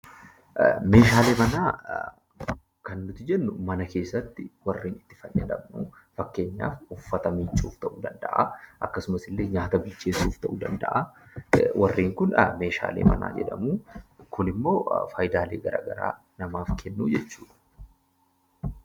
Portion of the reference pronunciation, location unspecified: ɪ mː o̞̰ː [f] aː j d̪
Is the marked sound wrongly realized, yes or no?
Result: no